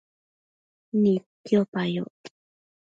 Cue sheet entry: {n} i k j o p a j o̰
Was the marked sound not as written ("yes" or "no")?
no